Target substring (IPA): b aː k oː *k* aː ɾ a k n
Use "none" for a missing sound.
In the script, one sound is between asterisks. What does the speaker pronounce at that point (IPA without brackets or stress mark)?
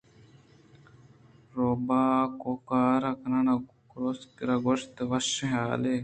k